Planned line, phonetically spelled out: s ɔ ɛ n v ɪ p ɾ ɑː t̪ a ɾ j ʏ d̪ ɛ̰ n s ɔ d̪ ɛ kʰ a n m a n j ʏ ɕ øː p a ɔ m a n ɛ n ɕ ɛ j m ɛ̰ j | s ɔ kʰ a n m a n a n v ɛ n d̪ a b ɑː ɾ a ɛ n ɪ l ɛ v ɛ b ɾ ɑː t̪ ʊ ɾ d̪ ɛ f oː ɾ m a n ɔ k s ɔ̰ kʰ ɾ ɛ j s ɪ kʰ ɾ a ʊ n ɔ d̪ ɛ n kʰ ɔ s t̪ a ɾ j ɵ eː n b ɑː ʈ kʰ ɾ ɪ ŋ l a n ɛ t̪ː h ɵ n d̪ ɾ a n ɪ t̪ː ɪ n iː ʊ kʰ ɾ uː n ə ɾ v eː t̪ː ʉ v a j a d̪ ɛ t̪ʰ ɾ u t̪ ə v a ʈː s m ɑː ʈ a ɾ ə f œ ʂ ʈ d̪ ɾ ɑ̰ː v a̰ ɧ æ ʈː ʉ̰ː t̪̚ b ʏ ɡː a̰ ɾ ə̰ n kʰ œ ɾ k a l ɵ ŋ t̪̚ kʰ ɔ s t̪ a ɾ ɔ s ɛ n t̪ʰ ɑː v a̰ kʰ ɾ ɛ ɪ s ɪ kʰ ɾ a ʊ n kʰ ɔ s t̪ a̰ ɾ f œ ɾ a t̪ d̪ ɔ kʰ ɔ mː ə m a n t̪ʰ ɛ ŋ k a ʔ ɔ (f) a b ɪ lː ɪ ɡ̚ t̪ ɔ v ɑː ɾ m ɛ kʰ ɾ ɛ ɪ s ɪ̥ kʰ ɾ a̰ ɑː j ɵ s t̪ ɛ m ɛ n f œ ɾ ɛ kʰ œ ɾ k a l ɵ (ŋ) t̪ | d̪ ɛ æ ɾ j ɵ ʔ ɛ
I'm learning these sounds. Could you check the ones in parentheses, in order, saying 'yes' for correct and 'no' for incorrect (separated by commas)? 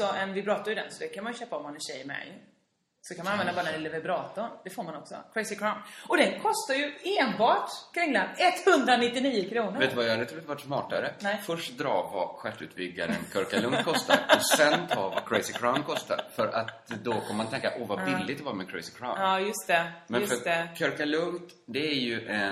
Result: no, yes